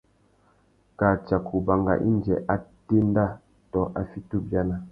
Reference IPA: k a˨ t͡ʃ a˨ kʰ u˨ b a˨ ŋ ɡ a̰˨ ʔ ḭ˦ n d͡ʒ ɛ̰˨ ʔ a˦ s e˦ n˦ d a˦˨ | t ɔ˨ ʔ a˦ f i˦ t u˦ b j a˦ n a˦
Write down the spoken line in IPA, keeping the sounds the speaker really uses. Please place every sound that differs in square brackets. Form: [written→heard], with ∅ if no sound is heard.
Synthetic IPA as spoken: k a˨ t͡ʃ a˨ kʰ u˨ b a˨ ŋ ɡ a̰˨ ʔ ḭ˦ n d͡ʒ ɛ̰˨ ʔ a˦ [s→t] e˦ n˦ d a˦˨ | t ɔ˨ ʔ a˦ f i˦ t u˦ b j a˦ n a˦